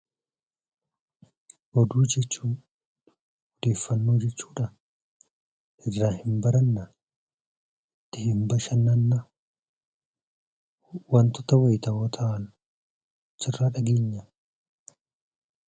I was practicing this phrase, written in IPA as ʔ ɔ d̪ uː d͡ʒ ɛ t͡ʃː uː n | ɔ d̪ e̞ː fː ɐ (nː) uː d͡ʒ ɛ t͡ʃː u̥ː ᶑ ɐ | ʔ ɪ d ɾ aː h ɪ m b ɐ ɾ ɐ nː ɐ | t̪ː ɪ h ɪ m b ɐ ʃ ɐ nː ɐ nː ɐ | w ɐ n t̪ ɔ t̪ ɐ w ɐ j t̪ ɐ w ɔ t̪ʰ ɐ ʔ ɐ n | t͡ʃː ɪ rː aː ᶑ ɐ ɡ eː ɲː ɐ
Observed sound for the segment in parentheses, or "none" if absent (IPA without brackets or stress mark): nː